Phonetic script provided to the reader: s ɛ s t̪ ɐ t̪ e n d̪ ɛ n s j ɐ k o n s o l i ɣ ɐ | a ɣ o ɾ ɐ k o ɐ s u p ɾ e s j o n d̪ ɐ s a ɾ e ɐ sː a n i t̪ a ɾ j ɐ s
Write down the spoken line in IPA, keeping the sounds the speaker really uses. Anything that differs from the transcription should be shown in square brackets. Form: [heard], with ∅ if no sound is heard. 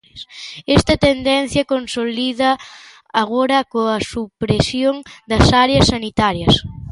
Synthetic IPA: s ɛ s t̪ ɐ t̪ e n d̪ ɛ n [θ] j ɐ k o n s o l i [ð] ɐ | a ɣ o ɾ ɐ k o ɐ s u p ɾ e s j o [ŋ] d̪ ɐ s a ɾ e ɐ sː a n i t̪ a ɾ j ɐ s

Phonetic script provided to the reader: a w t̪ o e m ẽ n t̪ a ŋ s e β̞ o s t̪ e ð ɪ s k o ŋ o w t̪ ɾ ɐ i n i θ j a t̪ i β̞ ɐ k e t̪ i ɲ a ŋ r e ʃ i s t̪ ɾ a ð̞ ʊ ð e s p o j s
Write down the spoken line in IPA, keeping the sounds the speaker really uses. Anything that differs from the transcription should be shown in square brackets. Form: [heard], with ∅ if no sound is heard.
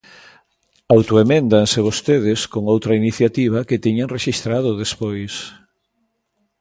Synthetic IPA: a w t̪ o e m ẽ n [d̪] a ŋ s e β̞ o s t̪ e ð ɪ s k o ŋ o w t̪ ɾ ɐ i n i θ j a t̪ i β̞ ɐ k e t̪ i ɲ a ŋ r e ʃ i s t̪ ɾ a ð̞ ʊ ð e s p o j s

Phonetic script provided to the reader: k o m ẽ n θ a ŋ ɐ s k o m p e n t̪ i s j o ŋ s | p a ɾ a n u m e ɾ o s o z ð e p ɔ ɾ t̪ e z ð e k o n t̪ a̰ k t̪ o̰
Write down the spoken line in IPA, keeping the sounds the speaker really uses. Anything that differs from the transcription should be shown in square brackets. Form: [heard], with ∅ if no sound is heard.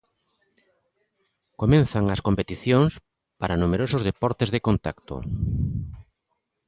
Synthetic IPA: k o m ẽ n θ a ŋ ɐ s k o m p e [∅] t̪ i [θ] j o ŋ s | p a ɾ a n u m e ɾ o s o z ð e p ɔ ɾ t̪ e z ð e k o n t̪ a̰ k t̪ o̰

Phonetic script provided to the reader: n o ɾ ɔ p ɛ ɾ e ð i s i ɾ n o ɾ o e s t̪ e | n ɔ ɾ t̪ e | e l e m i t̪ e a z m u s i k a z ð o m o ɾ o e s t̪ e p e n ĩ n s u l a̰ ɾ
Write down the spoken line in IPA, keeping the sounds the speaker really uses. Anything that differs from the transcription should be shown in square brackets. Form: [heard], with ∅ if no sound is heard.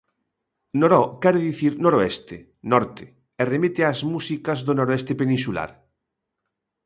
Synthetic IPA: n o ɾ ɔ [k] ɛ ɾ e ð i [θ] i ɾ n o ɾ o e s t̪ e | n ɔ ɾ t̪ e | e [r] e m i t̪ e a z m u s i k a z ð o [n] o ɾ o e s t̪ e p e n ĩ n s u l a̰ ɾ

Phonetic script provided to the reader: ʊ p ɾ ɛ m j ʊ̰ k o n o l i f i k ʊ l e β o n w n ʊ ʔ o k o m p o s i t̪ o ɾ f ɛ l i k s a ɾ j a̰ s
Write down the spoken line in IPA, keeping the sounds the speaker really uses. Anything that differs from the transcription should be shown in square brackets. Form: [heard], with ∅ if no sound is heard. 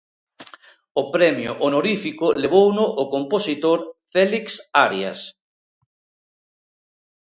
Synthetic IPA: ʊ p ɾ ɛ m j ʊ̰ [ʔ] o n o [ɾ] i f i k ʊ l e β o [∅] w n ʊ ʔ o k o m p o s i t̪ o ɾ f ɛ l i k s a ɾ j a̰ s

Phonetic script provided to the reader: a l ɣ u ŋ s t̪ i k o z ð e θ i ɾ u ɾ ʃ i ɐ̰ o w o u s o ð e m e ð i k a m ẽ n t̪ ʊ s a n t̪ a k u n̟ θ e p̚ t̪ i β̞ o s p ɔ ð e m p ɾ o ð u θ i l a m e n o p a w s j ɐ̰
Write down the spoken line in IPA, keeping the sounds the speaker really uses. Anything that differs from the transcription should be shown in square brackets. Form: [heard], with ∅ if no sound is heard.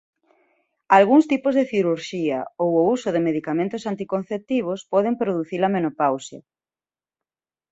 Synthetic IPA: a l ɣ u ŋ s t̪ i [p] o z ð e θ i ɾ u ɾ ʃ i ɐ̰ o w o u s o ð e m e ð i k a m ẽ n t̪ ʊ s a n t̪ [i] k [o] n̟ θ e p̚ t̪ i β̞ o s p ɔ ð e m p ɾ o ð u θ i l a m e n o p a w s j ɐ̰

